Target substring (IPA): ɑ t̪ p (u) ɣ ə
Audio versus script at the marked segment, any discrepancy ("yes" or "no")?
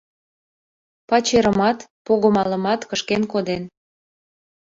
yes